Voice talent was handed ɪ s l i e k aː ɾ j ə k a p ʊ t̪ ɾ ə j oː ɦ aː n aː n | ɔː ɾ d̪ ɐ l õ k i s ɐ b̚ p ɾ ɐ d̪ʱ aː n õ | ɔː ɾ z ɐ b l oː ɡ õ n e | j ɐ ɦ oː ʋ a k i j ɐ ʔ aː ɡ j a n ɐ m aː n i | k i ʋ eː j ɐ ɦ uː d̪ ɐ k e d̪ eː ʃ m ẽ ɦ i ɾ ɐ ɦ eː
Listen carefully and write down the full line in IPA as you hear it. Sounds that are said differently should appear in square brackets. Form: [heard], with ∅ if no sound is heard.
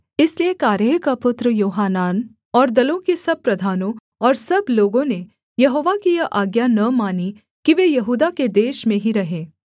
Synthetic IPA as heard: ɪ s l i e k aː ɾ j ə k a p ʊ t̪ ɾ ə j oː ɦ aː n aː n | ɔː ɾ d̪ ɐ l õ k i s ɐ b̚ p ɾ ɐ d̪ʱ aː n õ | ɔː ɾ [s] ɐ b l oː ɡ õ n e | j ɐ ɦ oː ʋ a k i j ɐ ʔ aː ɡ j a n ɐ m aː n i | k i ʋ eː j ɐ ɦ uː d̪ [a] k e d̪ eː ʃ m ẽ ɦ i ɾ ɐ ɦ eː